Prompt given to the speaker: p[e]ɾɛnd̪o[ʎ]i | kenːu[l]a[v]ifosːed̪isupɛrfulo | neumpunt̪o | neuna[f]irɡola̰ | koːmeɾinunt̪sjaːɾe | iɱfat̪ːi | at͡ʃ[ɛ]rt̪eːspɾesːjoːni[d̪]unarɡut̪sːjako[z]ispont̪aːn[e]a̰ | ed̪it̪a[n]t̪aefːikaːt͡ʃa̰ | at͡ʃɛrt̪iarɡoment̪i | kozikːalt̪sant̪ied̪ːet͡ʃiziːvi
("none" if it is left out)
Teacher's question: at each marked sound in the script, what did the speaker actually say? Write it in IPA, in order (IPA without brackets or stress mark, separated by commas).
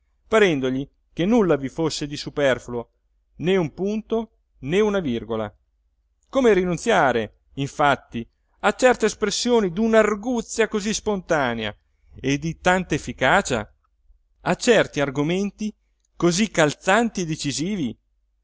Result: a, ʎ, lː, v, v, ɛ, d̪, z, e, n